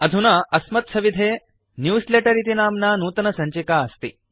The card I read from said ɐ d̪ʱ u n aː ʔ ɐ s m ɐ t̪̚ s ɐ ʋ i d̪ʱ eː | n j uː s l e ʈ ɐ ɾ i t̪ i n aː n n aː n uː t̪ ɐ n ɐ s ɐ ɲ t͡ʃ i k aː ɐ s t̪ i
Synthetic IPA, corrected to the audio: ɐ d̪ʱ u n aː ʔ ɐ s m ɐ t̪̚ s ɐ ʋ i d̪ʱ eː | n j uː s l e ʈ ɐ ɾ i t̪ i n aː m n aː n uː t̪ ɐ n ɐ s ɐ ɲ t͡ʃ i k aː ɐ s t̪ i